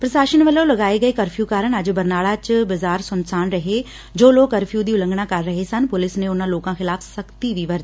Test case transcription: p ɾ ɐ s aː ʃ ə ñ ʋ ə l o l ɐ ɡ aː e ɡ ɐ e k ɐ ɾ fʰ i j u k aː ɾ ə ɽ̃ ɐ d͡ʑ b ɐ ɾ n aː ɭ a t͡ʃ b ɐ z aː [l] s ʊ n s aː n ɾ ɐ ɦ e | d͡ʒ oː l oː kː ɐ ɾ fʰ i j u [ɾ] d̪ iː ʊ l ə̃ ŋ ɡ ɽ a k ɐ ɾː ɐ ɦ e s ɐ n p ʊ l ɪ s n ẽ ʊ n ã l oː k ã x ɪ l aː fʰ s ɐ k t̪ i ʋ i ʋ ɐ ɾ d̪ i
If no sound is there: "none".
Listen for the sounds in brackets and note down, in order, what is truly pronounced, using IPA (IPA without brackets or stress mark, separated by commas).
ɾ, none